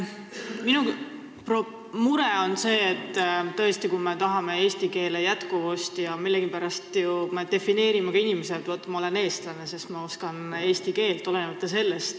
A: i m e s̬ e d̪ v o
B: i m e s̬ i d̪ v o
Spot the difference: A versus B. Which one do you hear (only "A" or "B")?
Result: A